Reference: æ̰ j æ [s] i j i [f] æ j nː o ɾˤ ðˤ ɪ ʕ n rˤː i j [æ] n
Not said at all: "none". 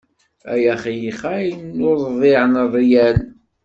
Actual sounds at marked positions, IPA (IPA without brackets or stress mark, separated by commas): χ, χ, æ